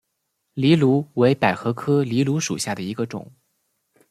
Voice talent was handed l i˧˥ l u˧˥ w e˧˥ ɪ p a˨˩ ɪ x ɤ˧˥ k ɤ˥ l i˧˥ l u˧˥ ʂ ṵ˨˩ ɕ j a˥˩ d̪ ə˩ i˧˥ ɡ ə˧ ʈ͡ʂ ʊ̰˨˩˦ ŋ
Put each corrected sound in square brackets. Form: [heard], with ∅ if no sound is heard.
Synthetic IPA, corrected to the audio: l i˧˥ l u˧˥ w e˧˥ ɪ p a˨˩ ɪ x ɤ˧˥ [kʰ] ɤ˥ l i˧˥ l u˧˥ ʂ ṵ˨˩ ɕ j a˥˩ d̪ ə˩ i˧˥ ɡ ə˧ ʈ͡ʂ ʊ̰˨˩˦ ŋ